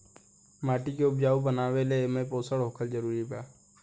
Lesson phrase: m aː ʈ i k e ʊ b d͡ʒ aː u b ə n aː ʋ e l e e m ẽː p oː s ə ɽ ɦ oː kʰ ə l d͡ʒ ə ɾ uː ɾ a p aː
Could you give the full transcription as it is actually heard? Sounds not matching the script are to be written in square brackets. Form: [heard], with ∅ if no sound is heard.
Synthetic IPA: m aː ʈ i k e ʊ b d͡ʒ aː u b ə n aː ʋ e l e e m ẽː p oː s ə ɽ ɦ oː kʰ ə l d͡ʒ ə ɾ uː ɾ [i] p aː